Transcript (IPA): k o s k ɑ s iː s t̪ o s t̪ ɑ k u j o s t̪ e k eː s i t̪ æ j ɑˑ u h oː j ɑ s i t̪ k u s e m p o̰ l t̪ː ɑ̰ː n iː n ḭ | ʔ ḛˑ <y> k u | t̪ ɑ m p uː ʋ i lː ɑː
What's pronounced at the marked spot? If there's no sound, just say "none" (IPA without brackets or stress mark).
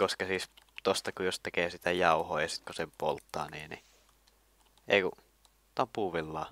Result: i